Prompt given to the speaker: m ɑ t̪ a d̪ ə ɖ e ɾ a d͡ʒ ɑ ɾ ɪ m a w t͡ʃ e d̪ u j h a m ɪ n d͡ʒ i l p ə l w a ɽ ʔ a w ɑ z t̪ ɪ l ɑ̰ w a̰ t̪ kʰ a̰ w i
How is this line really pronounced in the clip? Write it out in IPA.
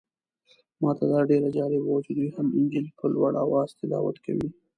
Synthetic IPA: m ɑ t̪ a d̪ ɑ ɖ e ɾ a d͡ʒ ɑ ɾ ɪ b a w t͡ʃ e d̪ u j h a m ɪ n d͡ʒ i l p ə l w a ɽ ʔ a w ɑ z t̪ ɪ l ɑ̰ w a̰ t̪ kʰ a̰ w i